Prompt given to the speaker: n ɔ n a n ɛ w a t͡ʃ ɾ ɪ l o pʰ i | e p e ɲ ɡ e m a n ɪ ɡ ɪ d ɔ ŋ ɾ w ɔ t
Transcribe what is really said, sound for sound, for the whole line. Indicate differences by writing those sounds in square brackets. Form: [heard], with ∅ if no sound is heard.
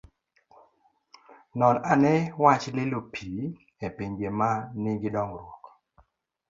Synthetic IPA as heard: n ɔ n a n ɛ w a t͡ʃ [l] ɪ l o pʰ i | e p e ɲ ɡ e m a n ɪ ɡ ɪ d ɔ ŋ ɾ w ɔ [k]